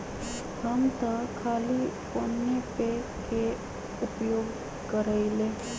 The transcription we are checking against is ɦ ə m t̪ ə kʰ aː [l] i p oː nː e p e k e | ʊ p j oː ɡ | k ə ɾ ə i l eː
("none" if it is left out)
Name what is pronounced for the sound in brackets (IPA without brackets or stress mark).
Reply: l